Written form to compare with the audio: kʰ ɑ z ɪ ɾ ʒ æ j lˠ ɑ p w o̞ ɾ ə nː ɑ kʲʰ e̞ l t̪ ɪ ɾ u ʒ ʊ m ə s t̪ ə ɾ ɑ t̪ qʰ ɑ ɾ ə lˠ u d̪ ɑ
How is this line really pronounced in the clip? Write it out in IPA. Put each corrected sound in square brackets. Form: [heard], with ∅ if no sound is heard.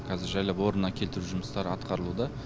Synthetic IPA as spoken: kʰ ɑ z ɪ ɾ ʒ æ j lˠ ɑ p w o̞ ɾ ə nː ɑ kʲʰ e̞ l t̪ ɪ ɾ u ʒ ʊ m ə s t̪ [ɑ] ɾ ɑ t̪ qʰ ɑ ɾ ə lˠ u d̪ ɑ